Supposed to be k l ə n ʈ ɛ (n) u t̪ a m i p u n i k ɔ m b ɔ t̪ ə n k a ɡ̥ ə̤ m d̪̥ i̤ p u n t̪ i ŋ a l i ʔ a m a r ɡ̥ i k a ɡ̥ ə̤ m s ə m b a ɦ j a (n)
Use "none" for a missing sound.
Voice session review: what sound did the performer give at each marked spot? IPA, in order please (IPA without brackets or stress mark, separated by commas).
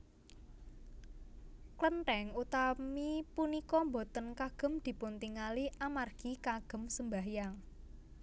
ŋ, ŋ